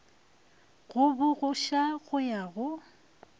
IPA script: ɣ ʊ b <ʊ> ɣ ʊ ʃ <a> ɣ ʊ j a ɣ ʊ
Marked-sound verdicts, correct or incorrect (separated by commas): correct, correct